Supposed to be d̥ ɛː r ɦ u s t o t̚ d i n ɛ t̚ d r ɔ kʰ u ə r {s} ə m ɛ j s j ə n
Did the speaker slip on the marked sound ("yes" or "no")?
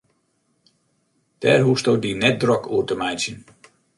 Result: yes